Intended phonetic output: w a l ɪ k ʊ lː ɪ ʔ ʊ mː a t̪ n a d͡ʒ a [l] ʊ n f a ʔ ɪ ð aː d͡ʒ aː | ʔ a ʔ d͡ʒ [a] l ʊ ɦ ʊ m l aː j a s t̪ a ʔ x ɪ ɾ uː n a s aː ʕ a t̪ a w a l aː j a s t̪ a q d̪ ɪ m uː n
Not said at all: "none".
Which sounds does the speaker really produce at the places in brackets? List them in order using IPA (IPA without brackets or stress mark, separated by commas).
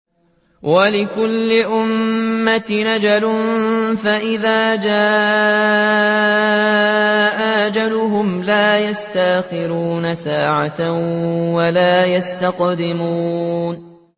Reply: l, a